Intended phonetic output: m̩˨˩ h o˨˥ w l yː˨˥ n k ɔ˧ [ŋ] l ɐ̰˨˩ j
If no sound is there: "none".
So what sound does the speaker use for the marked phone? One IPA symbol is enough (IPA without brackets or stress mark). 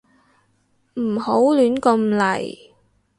m